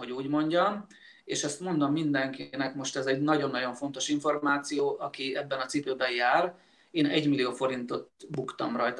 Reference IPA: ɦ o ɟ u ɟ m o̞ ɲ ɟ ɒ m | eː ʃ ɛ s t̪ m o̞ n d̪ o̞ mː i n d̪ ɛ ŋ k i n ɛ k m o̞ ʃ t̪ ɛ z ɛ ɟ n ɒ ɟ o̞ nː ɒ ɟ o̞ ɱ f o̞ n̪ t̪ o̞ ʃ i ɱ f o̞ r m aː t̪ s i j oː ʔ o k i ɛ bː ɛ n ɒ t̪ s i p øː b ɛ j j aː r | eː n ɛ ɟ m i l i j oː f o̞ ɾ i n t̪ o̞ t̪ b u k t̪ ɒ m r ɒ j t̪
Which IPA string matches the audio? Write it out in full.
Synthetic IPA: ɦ o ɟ uː ɟ m o̞ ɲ ɟ ɒ m | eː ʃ ɛ s t̪ m o̞ n d̪ o̞ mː i n d̪ ɛ ŋ k i n ɛ k m o̞ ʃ t̪ ɛ z ɛ ɟ n ɒ ɟ o̞ nː ɒ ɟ o̞ ɱ f o̞ n̪ t̪ o̞ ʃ i ɱ f o̞ r m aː t̪ s i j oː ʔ ɒ k i ɛ bː ɛ n ɒ t̪ s i p øː b ɛ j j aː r | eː n ɛ ɟ m i l i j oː f o̞ ɾ i n t̪ o̞ t̪ b u k t̪ ɒ m r ɒ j t̪